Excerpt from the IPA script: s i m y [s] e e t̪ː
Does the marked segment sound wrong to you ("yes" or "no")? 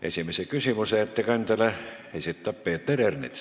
no